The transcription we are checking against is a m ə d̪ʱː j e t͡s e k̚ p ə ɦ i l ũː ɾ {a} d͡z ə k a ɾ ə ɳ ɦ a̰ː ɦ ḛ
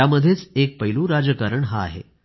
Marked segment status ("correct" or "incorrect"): correct